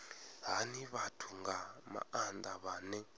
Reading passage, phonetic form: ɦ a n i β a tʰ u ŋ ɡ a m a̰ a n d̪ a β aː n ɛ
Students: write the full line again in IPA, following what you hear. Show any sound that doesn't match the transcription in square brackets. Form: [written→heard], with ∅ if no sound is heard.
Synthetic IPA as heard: ɦ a n i β a tʰ u ŋ ɡ a m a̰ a n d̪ a β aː n ɛ